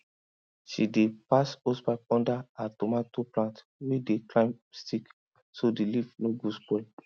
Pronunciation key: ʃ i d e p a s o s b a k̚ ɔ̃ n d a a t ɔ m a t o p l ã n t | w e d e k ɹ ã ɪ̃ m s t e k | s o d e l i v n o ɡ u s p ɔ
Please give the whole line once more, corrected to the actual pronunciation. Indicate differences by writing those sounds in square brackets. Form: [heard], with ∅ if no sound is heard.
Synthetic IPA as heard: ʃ i d e p a s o s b a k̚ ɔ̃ n d a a t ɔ m a t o p l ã n t | w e d e k [l] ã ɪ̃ m s t [i] k | s o d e l i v n o ɡ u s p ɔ